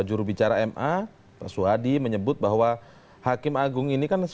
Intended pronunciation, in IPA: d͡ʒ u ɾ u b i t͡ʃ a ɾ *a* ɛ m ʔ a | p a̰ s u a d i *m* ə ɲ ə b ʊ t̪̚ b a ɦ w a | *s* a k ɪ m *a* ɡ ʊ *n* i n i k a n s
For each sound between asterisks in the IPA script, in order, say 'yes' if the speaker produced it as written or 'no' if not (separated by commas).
yes, yes, no, yes, no